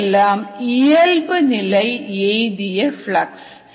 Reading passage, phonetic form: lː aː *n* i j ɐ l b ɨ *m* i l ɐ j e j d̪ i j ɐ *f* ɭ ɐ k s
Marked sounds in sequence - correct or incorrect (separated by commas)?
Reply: incorrect, incorrect, correct